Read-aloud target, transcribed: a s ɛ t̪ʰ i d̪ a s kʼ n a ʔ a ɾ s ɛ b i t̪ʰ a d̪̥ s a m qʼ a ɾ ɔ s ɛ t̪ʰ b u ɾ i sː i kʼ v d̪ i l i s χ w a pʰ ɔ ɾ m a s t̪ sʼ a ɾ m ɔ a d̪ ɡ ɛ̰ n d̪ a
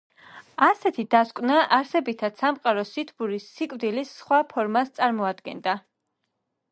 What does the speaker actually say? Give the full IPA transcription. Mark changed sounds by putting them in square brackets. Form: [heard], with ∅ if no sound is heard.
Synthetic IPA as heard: a s ɛ t̪ʰ i d̪ a s kʼ n a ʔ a ɾ s ɛ b i t̪ʰ a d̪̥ s a m qʼ a ɾ ɔ s [i] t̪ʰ b u ɾ i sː i kʼ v d̪ i l i s χ w a pʰ ɔ ɾ m a s t̪ sʼ a ɾ m ɔ a d̪ ɡ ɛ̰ n d̪ a